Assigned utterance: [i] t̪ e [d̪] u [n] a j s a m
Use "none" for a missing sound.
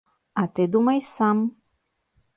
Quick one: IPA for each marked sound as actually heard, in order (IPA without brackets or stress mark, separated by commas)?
a, d̪, m